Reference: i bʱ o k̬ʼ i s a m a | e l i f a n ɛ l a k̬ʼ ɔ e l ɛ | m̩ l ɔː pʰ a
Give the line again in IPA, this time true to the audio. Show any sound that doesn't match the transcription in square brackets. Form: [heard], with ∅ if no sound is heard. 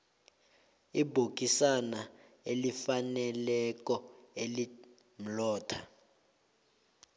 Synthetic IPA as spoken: i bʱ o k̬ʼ i s a [n] a | e l i f a n ɛ l [ɛ] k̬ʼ ɔ e l [i] | m̩ l ɔː [tʰ] a